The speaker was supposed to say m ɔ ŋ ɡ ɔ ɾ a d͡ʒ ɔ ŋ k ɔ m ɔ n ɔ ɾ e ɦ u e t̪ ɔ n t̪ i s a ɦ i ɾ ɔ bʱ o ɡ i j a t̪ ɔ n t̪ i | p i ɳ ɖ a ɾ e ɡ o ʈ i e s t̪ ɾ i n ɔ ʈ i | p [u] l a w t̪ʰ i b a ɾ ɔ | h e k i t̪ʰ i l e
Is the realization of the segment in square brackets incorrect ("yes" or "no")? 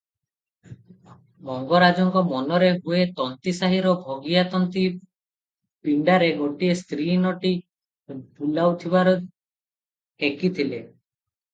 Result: no